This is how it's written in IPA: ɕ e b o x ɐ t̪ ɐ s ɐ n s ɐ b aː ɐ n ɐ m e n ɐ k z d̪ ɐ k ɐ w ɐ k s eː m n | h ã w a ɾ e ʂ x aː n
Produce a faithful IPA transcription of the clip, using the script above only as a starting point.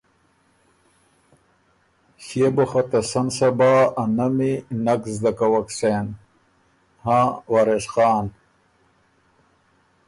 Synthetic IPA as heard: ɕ e b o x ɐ t̪ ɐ s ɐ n s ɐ b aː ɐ n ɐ m i n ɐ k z d̪ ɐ k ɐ w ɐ k s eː n | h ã w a ɾ e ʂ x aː n